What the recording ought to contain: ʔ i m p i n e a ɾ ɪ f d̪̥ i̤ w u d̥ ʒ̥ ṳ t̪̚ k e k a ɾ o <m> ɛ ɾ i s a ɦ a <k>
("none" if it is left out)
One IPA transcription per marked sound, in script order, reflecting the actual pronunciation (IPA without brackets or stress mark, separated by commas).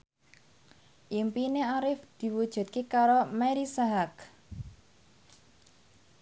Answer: m, k